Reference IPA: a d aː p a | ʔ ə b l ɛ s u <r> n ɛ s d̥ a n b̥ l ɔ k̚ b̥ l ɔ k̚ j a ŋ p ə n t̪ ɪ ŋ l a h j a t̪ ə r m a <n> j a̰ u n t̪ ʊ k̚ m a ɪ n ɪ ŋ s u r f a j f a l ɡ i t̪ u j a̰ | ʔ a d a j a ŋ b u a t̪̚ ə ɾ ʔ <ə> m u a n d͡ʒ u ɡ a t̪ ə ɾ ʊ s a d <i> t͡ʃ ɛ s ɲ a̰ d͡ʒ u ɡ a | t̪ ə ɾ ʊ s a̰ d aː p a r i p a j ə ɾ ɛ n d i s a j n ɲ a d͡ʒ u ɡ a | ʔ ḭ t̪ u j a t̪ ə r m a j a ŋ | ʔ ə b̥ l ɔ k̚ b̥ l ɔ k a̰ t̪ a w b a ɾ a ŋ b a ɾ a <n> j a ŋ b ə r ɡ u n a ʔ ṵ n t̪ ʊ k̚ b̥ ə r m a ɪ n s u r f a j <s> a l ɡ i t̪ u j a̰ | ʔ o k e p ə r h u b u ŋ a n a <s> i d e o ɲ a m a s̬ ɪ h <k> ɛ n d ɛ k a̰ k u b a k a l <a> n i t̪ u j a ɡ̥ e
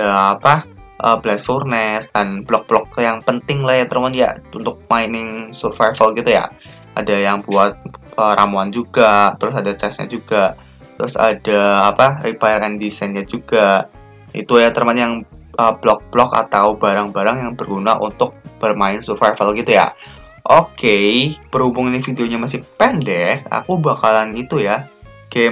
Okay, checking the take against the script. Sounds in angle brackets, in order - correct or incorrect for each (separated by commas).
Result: correct, correct, incorrect, incorrect, incorrect, incorrect, incorrect, incorrect, correct